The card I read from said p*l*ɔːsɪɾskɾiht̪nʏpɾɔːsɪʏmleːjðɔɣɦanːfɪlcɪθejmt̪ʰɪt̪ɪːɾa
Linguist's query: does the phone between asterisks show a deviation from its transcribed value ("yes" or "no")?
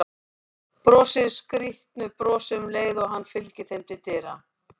yes